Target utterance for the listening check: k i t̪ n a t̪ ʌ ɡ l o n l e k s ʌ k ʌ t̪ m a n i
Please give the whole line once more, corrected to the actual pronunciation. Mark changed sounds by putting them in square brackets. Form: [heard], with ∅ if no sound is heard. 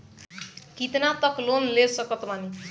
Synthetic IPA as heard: k i t̪ n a t̪ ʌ [k] l o n l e [∅] s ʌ k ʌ t̪ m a n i